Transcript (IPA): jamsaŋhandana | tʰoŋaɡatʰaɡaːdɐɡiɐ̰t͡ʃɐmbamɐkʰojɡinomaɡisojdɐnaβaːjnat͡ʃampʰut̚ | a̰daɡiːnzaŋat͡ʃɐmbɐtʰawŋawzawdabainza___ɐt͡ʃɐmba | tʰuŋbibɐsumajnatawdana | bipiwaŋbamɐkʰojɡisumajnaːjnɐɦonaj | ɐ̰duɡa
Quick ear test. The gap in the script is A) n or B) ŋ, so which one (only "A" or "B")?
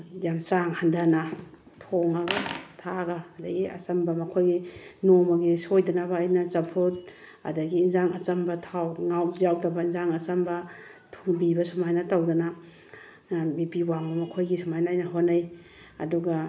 B